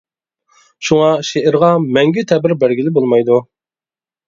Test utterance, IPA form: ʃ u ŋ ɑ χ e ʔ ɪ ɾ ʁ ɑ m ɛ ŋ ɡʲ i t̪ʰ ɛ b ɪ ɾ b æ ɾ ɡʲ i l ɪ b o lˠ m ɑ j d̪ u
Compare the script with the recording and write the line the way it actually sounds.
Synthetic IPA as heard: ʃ u ŋ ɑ ʃ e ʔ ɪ ɾ ʁ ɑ m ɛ ŋ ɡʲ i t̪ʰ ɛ b ɪ ɾ b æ ɾ ɡʲ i l ɪ b o lˠ m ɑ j d̪ u

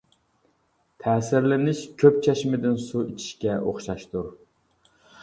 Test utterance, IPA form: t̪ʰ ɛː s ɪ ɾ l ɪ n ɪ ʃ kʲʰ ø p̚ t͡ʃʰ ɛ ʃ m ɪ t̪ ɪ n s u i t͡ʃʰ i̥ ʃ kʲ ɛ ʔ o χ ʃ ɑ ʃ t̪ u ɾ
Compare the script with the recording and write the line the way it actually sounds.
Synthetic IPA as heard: t̪ʰ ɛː s ɪ ɾ l ɪ n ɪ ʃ kʲʰ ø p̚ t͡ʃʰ ɛ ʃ m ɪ d̪ ɪ n s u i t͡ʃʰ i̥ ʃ kʲ ɛ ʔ o χ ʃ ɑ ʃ t̪ u ɾ

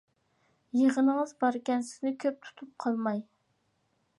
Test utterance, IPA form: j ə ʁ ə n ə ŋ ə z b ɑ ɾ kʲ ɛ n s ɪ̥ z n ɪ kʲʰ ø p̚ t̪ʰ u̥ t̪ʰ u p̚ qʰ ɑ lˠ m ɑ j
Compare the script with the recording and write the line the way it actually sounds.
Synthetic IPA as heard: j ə ʁ ə n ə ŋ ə z b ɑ ɾ kʲ ɛ n s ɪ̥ z n ɪ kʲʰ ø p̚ t̪ʰ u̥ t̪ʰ u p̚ qʰ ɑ lˠ m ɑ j

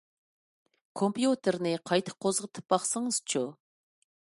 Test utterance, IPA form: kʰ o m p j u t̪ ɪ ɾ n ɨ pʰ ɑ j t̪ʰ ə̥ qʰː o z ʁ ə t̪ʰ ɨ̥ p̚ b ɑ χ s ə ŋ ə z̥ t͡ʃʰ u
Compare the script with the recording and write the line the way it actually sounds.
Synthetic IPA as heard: kʰ o m p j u t̪ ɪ ɾ n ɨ qʰ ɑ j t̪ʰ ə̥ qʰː o z ʁ ə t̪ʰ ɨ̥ p̚ b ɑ χ s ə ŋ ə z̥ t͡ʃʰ u

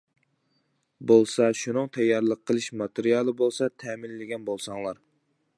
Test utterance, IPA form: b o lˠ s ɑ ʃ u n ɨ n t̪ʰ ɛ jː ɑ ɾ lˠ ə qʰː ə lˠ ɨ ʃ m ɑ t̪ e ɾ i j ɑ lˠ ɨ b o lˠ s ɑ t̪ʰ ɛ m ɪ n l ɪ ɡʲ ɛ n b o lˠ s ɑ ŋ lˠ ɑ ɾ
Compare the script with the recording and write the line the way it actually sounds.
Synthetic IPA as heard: b o lˠ s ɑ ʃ u n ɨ ŋ t̪ʰ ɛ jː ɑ ɾ lˠ ə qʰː ə lˠ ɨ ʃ m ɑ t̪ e ɾ i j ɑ lˠ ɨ b o lˠ s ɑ t̪ʰ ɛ m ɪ n l ɪ ɡʲ ɛ n b o lˠ s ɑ ŋ lˠ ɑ ɾ

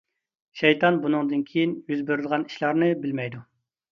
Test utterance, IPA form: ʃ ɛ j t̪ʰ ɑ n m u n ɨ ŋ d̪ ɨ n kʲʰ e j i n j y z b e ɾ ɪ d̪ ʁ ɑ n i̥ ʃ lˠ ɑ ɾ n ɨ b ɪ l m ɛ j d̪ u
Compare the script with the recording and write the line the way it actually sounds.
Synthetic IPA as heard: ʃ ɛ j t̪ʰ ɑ n b u n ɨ ŋ d̪ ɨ n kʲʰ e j i n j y z b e ɾ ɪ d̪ ʁ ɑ n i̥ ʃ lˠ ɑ ɾ n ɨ b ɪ l m ɛ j d̪ u

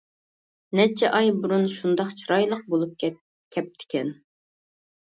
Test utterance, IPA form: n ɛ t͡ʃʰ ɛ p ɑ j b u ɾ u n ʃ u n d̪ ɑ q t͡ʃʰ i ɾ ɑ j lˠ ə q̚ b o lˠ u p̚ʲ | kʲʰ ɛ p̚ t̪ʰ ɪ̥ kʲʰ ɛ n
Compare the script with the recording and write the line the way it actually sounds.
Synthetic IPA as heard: n ɛ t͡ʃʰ ɛ ʔ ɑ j b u ɾ u n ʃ u n d̪ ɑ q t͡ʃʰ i ɾ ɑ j lˠ ə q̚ b o lˠ u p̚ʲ | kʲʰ ɛ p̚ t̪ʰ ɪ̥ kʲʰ ɛ n

